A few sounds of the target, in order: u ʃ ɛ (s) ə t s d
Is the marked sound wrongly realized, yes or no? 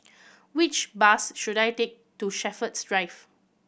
yes